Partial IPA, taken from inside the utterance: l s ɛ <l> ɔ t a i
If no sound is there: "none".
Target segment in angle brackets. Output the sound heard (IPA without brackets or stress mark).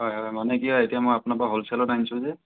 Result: l